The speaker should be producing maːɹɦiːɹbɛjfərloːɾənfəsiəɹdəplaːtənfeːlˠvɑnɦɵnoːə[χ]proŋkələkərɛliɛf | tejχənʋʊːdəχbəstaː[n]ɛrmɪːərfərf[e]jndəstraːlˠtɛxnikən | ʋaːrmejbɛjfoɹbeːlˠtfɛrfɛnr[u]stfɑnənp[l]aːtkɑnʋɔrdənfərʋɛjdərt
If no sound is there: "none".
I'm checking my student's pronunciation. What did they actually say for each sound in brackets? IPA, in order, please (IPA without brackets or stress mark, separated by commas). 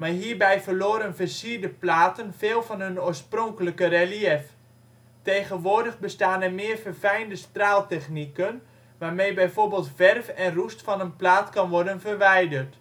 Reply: s, n, ɛ, u, l